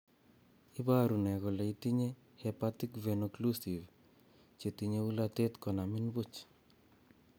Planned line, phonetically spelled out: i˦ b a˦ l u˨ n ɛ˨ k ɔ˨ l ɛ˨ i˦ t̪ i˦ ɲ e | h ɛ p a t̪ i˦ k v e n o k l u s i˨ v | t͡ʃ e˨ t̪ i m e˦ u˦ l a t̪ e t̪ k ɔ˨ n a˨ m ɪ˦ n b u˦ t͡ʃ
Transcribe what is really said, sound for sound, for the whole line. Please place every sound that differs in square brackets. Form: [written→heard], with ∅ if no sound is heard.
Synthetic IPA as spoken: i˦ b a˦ [l→ɾ] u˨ n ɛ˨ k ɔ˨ l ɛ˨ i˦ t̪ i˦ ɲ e | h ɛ p a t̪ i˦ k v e n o k l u s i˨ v | t͡ʃ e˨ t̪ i [m→ɲ] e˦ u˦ l a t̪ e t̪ k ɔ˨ n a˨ m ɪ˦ n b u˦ t͡ʃ